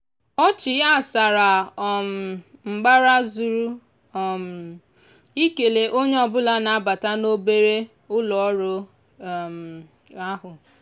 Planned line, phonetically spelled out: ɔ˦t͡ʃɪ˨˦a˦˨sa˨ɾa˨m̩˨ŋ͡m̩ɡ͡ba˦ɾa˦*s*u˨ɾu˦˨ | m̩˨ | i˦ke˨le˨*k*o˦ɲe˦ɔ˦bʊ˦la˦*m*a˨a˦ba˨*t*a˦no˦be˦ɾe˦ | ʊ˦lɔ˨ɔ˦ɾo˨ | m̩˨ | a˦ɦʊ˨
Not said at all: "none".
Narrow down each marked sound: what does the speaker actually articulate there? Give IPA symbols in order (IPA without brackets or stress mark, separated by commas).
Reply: z, ʔ, n, t